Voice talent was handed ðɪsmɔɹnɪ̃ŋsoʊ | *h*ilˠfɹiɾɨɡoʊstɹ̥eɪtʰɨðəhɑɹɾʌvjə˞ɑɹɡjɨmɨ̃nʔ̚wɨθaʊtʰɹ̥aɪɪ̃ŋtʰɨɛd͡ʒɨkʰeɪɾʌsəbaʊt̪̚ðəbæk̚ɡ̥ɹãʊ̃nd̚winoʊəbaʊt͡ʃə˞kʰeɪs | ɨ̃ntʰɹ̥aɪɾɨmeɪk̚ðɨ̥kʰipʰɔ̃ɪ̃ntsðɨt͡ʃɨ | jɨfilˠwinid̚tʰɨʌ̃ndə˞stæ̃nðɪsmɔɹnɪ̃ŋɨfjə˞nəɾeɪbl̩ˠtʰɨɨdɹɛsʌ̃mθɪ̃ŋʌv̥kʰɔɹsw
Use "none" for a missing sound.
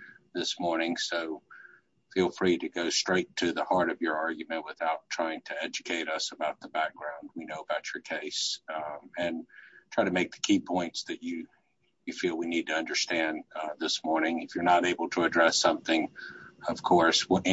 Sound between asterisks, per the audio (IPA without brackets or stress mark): f